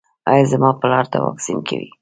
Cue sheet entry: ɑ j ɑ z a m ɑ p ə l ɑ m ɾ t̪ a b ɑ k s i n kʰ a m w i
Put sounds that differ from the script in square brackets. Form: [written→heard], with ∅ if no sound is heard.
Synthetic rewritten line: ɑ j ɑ z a m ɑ p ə l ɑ [m→∅] ɾ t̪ a [b→w] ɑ k s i n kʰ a [m→∅] w i